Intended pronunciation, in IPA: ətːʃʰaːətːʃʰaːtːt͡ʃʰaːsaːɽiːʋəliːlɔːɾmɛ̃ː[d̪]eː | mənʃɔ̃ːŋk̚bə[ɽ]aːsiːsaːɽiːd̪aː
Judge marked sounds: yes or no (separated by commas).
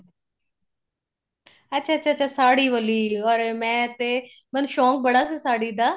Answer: no, yes